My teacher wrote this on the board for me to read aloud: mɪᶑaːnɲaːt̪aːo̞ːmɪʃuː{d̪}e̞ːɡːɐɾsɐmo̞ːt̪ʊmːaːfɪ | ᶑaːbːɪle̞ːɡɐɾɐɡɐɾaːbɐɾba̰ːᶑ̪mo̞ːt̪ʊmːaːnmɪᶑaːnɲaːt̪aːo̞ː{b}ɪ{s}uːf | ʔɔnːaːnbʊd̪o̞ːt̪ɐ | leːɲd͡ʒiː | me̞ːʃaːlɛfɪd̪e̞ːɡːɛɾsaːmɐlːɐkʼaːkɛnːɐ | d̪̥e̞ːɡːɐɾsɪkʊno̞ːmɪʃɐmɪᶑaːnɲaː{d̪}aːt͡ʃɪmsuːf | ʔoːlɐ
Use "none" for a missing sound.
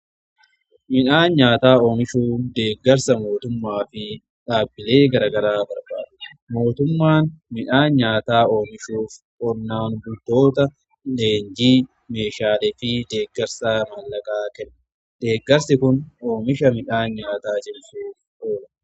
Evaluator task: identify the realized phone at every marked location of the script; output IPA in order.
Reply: d̪, m, ʃ, t̪

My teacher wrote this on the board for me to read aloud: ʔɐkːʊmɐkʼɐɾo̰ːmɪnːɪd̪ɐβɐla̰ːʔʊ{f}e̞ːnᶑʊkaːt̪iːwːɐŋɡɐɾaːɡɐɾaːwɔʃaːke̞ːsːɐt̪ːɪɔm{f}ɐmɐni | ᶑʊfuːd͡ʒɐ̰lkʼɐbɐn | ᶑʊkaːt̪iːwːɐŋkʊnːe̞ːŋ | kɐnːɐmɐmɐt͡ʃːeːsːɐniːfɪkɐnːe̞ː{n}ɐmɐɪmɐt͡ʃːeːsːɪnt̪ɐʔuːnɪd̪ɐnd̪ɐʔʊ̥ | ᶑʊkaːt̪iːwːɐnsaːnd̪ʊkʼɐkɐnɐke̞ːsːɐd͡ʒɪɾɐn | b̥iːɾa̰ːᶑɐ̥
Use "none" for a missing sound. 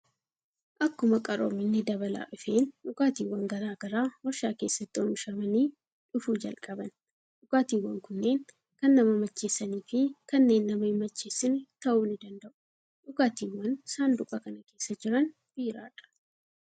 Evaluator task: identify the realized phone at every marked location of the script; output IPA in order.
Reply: f, ʃ, nː

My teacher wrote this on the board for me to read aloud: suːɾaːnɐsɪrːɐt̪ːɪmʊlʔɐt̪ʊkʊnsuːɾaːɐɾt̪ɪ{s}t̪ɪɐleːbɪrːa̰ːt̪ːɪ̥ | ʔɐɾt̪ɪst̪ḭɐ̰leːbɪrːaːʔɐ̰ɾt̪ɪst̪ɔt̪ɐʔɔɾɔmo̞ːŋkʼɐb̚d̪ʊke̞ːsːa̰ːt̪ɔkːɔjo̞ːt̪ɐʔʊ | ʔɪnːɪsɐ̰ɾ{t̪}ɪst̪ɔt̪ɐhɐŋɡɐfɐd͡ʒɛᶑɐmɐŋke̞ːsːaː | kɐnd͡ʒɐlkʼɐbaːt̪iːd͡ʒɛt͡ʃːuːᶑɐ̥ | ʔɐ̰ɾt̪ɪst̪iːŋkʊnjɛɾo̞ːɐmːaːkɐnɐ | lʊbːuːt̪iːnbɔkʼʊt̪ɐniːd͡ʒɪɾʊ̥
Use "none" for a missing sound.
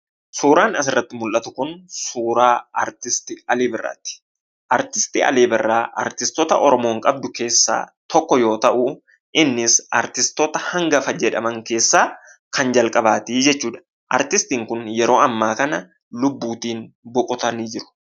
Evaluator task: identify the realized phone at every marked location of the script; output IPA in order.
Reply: s, t̪

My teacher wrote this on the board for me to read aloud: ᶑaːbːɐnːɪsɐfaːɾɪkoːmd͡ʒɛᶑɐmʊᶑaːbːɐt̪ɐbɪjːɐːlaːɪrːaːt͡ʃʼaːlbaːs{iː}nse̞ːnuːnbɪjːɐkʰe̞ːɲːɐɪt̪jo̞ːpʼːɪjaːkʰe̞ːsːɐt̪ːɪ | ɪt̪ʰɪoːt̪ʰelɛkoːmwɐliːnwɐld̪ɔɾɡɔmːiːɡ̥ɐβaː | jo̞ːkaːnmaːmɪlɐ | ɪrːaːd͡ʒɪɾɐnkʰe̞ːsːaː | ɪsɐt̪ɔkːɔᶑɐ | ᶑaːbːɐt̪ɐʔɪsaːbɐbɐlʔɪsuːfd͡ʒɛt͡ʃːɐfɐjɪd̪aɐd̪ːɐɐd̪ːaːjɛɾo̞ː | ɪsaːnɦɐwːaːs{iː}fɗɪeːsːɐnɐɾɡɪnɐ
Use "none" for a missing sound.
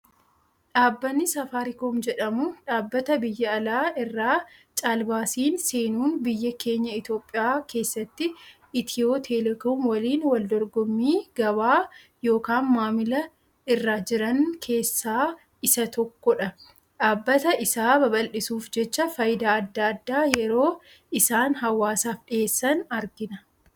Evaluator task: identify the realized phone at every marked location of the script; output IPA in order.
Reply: iː, aː

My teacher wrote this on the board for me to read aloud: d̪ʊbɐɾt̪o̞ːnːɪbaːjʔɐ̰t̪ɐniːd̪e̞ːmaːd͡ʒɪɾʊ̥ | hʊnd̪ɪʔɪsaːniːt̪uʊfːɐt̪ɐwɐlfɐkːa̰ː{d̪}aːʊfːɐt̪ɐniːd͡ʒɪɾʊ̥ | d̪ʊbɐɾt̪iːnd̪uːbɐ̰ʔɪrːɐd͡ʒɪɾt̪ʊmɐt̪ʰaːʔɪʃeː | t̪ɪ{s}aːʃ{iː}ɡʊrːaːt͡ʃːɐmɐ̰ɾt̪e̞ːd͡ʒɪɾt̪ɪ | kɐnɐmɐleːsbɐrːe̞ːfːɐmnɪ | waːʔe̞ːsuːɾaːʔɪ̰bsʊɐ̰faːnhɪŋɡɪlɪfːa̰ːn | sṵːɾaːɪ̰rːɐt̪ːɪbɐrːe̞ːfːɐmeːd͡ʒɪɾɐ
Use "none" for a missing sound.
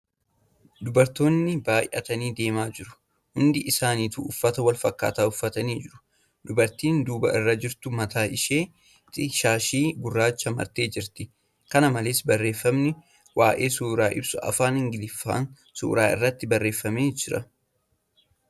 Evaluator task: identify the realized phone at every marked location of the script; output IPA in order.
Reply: t̪, ʃ, iː

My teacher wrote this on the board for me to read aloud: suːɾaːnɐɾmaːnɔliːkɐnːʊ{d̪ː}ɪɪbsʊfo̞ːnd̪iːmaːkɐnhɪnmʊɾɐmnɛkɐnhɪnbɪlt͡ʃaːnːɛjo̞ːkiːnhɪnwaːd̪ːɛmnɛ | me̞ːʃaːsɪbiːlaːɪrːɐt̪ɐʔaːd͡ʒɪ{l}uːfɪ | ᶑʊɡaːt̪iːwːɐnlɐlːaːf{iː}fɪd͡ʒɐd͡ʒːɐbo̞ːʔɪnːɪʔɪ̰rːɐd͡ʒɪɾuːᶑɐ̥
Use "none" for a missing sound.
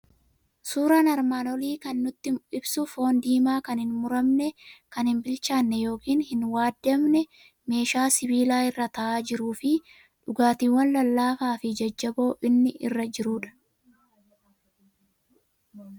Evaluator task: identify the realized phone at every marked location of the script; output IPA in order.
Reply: t̪ː, ɾ, aː

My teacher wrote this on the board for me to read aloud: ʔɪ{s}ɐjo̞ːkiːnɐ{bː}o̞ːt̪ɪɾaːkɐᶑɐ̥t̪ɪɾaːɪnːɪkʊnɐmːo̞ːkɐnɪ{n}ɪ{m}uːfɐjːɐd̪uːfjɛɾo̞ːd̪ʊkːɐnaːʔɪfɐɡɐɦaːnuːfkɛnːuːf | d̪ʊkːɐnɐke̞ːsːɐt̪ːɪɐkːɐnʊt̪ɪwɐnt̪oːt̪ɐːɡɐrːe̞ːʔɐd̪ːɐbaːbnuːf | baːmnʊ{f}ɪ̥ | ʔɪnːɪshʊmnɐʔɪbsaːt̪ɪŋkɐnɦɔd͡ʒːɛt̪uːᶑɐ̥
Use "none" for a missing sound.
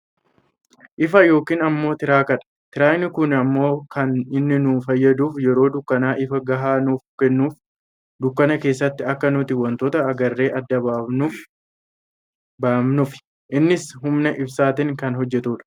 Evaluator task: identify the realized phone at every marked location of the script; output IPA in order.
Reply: f, mː, nː, n, f

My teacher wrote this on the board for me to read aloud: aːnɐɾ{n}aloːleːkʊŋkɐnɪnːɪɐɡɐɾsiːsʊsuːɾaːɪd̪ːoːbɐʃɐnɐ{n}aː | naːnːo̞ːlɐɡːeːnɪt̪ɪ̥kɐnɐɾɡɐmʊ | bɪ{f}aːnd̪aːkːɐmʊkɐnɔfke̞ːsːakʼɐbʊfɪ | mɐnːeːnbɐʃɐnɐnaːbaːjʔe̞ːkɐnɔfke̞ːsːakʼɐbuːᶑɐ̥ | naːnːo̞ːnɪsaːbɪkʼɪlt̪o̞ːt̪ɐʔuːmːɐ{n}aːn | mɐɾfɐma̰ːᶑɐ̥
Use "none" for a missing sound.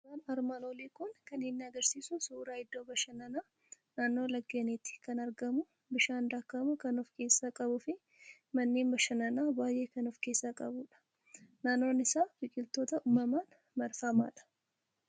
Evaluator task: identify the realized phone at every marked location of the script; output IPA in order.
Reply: m, n, ʃ, m

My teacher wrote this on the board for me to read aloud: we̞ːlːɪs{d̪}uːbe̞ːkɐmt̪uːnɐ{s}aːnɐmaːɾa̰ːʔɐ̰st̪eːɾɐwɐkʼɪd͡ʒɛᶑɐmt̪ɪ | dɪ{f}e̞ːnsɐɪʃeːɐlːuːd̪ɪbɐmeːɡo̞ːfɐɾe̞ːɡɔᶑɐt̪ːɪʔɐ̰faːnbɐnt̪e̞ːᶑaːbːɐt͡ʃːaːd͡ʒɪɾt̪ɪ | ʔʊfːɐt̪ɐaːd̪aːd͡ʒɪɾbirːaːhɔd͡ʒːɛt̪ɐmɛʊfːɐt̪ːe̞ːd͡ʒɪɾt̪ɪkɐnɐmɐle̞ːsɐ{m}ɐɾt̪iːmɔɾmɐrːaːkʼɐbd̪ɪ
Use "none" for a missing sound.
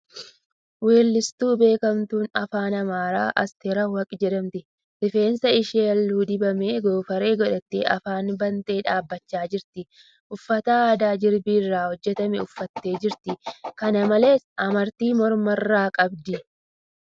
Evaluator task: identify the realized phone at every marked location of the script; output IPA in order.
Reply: t̪, f, f, m

